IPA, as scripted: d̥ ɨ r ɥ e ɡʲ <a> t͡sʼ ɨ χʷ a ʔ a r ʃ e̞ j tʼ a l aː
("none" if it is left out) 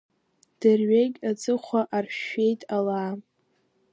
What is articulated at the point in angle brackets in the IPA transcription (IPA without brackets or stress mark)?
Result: a